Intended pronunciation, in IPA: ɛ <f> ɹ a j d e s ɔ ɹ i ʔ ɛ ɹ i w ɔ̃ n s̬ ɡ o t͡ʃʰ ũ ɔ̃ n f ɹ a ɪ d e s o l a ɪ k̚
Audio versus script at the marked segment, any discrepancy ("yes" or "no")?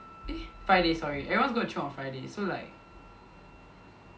no